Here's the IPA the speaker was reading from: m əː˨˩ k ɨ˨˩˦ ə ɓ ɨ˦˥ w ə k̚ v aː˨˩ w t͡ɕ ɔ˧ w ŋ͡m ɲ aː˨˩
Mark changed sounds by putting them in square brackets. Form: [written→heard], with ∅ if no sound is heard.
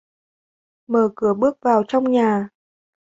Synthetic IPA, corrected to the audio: m əː˨˩ k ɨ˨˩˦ ə ɓ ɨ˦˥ [w→∅] ə k̚ v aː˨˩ w t͡ɕ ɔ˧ w ŋ͡m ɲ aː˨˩